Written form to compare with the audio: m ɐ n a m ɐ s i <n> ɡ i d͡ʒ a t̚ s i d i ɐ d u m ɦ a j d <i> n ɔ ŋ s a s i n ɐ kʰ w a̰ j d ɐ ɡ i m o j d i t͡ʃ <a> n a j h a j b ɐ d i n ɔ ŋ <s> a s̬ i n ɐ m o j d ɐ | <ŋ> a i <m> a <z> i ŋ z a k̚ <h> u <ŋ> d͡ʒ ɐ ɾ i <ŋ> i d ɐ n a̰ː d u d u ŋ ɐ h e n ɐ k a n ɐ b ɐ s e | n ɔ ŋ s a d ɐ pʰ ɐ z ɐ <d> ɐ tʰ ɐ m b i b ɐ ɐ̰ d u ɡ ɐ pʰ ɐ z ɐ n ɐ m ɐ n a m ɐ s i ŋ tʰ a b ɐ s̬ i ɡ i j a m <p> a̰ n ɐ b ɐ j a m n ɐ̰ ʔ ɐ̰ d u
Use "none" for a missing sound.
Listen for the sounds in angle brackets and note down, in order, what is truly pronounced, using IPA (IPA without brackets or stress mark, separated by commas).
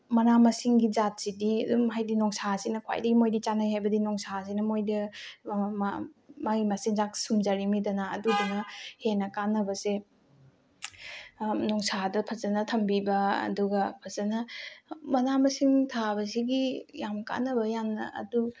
ŋ, i, a, s, m, m, s, s, m, m, n, k